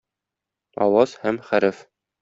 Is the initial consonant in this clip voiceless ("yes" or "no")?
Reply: no